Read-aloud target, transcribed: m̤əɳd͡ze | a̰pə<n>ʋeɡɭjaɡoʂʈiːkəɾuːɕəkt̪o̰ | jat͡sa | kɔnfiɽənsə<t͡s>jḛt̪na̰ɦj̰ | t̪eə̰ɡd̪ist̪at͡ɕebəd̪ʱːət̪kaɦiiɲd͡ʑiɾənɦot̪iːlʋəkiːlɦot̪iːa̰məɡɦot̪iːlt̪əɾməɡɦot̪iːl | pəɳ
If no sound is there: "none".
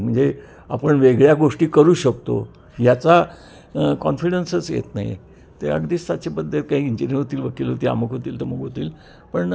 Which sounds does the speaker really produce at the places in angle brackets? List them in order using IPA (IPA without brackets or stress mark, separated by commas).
ɳ, t͡s